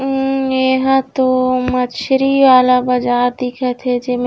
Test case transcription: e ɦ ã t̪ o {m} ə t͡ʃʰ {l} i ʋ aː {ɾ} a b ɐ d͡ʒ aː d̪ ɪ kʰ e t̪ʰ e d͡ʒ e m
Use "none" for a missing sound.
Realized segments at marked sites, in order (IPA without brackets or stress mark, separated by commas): m, ɾ, l